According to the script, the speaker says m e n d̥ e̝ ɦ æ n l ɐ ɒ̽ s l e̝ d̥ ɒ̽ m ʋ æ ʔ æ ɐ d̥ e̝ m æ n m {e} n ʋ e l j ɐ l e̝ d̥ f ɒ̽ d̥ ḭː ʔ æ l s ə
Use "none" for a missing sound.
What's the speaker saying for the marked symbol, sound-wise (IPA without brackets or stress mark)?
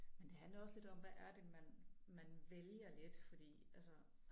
æ